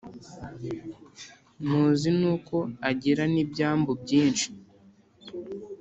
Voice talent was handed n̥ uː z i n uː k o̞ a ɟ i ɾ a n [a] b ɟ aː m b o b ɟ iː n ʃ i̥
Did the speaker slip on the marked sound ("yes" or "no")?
yes